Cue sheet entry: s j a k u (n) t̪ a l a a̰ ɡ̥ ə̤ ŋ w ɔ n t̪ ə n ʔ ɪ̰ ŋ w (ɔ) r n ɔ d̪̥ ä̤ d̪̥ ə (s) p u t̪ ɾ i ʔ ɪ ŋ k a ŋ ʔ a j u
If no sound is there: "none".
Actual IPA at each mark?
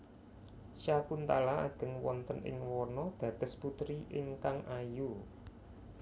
n, ɔ, s

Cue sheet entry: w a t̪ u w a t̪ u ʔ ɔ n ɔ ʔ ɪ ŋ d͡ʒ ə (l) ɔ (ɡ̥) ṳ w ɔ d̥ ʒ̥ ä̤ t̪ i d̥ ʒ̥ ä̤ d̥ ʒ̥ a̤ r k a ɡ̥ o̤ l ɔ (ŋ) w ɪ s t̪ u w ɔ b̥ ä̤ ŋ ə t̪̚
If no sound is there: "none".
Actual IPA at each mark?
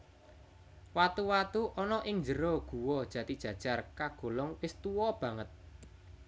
ɾ, ɡ̥, ŋ

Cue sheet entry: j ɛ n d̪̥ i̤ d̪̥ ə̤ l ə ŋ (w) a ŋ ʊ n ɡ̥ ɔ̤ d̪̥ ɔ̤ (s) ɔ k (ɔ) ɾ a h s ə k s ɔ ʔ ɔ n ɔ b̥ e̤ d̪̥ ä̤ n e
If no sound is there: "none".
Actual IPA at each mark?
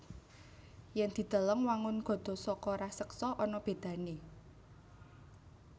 w, s, ɔ

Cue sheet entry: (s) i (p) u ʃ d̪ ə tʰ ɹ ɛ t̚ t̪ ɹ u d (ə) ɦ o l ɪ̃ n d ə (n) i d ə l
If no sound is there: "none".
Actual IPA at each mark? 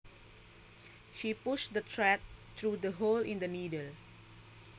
ʃ, p, ə, n

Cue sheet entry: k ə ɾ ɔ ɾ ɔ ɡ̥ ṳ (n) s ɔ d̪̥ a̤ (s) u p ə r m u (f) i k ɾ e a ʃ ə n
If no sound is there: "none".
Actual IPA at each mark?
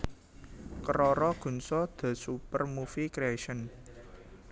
n, s, f

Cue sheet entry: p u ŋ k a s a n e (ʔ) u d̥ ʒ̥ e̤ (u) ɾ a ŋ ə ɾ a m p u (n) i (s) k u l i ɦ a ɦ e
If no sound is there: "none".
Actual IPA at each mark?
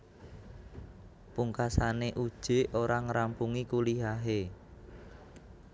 ʔ, o, ŋ, none

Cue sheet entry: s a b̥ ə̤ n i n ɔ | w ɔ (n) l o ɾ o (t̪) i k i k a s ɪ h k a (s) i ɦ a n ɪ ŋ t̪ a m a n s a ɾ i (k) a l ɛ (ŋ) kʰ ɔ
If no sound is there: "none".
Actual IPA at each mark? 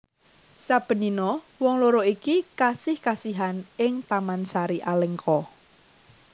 ŋ, none, s, ʔ, ŋ

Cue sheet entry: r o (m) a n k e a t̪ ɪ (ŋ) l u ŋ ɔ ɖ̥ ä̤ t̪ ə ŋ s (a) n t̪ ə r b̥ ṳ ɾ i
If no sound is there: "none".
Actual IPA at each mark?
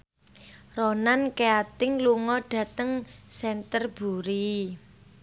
n, ŋ, ɛ

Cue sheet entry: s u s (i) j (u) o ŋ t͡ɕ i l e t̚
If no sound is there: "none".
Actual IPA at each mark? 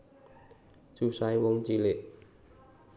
a, w

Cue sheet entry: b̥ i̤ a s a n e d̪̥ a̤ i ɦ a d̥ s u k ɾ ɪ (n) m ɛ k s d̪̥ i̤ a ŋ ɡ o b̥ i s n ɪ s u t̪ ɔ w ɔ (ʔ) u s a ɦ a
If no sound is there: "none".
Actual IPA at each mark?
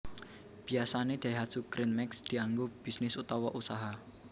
n, ʔ

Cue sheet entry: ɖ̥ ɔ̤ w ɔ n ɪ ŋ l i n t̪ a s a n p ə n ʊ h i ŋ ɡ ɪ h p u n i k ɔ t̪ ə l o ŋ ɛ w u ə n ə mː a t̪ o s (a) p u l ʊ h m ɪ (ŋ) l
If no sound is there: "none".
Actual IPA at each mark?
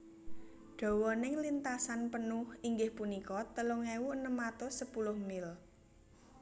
ə, none

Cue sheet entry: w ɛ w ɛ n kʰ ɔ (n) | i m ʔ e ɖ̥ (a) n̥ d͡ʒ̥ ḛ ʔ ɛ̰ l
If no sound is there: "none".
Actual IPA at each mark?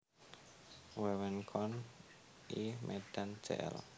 n, a

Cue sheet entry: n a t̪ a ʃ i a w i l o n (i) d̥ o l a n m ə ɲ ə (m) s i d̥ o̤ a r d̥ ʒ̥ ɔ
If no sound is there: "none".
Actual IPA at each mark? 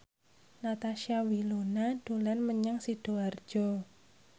a, ŋ

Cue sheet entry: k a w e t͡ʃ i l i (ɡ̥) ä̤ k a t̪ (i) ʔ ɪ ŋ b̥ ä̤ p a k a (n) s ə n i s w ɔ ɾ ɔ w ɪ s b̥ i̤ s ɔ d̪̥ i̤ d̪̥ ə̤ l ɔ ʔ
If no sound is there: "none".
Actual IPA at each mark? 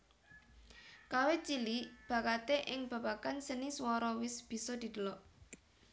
b̥, e, n

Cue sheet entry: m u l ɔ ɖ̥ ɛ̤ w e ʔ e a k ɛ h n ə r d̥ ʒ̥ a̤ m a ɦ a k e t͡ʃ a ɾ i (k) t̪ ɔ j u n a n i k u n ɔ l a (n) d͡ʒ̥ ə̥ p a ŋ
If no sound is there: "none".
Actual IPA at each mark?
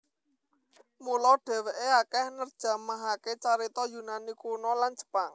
none, n

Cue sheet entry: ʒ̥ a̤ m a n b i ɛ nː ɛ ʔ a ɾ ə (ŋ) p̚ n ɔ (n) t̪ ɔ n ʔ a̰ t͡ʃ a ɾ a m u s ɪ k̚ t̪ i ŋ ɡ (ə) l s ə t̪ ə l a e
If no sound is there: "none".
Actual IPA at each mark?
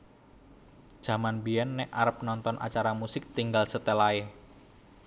none, n, a

